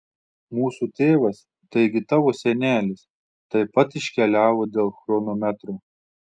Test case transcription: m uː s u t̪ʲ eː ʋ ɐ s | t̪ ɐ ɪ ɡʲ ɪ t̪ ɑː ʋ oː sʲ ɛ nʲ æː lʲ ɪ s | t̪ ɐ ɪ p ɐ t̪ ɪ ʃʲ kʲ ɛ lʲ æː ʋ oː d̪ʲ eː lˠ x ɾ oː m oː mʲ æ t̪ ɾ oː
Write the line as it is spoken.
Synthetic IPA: m uː s u t̪ʲ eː ʋ ɐ s | t̪ ɐ ɪ ɡʲ ɪ t̪ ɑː ʋ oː sʲ ɛ nʲ æː lʲ ɪ s | t̪ ɐ ɪ p ɐ t̪ ɪ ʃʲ kʲ ɛ lʲ æː ʋ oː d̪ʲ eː lˠ x ɾ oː n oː mʲ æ t̪ ɾ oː